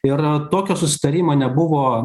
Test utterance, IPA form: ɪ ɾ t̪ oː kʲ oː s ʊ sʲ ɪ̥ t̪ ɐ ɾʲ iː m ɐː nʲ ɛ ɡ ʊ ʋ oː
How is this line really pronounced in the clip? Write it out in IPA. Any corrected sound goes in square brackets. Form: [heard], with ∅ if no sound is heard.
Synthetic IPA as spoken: ɪ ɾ t̪ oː kʲ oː s ʊ sʲ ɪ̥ t̪ ɐ ɾʲ iː m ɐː nʲ ɛ [b] ʊ ʋ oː